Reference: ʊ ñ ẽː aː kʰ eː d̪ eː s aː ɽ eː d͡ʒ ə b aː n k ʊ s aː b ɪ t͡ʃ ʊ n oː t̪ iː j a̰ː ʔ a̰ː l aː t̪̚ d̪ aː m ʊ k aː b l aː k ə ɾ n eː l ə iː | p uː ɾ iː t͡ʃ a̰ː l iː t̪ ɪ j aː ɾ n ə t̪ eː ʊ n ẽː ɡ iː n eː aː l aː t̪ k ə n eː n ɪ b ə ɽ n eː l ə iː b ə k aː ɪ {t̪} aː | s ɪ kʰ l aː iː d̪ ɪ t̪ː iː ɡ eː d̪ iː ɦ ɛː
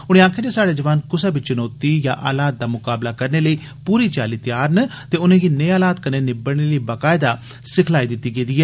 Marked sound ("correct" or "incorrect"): incorrect